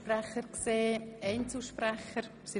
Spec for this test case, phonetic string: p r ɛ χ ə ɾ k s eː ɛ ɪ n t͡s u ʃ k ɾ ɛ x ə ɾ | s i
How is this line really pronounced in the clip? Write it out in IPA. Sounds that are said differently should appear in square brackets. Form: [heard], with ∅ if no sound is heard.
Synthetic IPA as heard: p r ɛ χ ə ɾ k s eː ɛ ɪ n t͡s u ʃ [p] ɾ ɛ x ə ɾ | s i